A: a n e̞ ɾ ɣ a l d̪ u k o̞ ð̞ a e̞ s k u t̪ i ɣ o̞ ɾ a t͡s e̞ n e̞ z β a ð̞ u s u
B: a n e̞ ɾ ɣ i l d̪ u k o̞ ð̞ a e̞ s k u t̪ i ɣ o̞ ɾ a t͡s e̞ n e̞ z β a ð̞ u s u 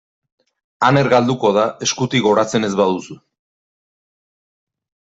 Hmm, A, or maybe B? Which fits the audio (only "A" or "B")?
A